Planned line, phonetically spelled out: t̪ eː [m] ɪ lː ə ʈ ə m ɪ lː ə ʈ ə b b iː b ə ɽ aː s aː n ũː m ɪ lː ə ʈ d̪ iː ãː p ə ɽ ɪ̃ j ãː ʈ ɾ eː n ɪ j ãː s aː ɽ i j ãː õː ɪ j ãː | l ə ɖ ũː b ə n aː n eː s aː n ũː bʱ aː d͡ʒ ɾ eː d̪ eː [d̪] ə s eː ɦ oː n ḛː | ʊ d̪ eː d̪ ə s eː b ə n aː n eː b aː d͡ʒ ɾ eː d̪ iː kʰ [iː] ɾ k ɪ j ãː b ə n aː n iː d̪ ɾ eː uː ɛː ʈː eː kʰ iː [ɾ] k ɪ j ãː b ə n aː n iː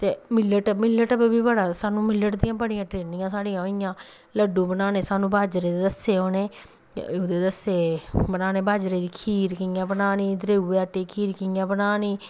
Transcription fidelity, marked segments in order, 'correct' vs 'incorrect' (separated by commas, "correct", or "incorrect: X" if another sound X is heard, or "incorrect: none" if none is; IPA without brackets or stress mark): correct, correct, correct, correct